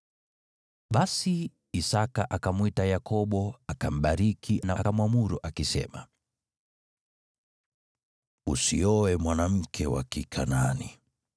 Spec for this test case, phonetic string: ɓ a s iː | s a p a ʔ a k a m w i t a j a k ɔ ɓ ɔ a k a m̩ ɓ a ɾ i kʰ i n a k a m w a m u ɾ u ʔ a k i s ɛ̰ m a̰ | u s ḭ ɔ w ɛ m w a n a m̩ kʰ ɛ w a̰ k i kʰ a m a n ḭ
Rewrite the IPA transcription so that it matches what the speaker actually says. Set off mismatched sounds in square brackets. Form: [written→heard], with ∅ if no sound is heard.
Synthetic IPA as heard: ɓ a s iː | s a [p→k] a ʔ a k a m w i t a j a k ɔ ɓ ɔ a k a m̩ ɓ a ɾ i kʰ i n a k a m w a m u ɾ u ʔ a k i s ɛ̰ m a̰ | u s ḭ ɔ w ɛ m w a n a m̩ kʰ ɛ w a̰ k i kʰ a [m→n] a n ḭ